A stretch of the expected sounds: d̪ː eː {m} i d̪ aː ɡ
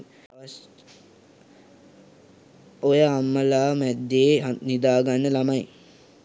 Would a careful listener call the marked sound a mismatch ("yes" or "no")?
yes